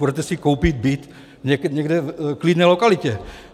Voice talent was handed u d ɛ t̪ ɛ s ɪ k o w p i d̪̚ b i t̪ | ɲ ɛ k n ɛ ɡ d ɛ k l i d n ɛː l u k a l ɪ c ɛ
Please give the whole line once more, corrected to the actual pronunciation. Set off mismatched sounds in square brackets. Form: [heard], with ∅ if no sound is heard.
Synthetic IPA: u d ɛ t̪ ɛ s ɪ k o w p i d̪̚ b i t̪ | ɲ ɛ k [ɲ] ɛ ɡ d ɛ k l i d n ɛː l [o] k a l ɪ c ɛ